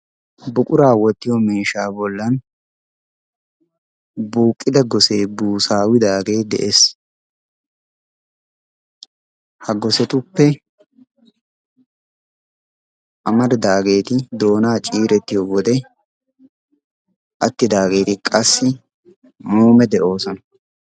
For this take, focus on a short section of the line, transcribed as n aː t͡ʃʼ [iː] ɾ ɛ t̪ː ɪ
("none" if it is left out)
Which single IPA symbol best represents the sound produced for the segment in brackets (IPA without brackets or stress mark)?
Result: iː